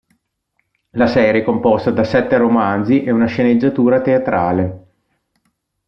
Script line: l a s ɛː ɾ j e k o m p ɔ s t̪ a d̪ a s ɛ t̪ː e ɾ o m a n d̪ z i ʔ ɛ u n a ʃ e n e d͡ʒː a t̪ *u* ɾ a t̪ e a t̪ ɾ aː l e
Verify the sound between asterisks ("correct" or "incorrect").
incorrect